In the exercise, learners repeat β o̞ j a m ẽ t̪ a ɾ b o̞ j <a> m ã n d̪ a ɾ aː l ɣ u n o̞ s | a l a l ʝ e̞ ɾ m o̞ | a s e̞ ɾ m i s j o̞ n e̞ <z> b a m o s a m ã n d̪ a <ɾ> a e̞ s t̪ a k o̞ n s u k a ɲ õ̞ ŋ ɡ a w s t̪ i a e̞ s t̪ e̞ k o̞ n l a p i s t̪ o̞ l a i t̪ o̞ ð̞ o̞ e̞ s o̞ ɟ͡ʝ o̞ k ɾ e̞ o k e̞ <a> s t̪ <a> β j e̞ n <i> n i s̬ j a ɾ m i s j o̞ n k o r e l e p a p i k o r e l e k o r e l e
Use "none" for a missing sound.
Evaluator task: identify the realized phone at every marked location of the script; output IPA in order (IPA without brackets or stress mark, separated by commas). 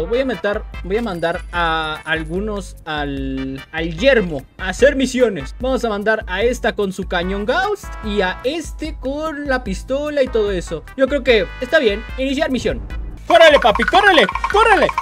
a, s, ɾ, e, a, i